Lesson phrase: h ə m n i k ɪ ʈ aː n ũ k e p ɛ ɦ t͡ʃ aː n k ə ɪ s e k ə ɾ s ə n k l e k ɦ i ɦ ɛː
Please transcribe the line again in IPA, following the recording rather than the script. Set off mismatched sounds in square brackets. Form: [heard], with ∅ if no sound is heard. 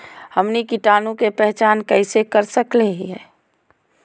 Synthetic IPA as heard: h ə m n i k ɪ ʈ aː n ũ k e p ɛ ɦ t͡ʃ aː n k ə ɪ s e k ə ɾ s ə [∅] k l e [∅] ɦ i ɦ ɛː